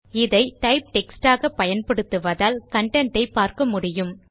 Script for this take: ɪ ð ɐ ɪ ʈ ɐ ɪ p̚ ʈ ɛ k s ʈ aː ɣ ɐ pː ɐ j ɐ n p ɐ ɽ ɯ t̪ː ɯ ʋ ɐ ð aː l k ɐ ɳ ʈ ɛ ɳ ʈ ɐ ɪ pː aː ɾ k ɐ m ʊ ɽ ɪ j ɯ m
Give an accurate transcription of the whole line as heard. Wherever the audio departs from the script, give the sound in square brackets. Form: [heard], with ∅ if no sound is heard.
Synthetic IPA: ɪ ð ɐ ɪ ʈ ɐ ɪ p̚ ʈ ɛ k s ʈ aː ɣ ɐ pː ɐ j ɐ n p ɐ ɽ ɯ t̪ː ɯ ʋ ɐ ð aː l k ɐ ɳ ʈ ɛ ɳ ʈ ɐ ɪ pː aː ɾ k ɐ m ʊ ɽ ɪ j ɯ m